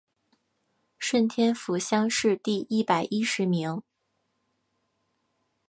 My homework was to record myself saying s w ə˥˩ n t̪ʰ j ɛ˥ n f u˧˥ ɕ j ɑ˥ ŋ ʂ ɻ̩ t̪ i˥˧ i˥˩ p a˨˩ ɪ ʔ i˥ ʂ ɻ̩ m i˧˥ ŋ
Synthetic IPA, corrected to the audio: ʂ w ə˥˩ n t̪ʰ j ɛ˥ n f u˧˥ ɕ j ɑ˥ ŋ ʂ ɻ̩ t̪ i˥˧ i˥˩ p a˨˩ ɪ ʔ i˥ ʂ ɻ̩ m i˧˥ ŋ